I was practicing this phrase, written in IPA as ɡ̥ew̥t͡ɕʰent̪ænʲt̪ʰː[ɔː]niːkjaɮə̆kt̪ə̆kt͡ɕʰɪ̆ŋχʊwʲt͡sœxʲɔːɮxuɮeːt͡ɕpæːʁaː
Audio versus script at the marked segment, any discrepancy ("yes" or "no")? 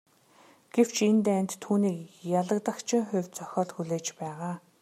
yes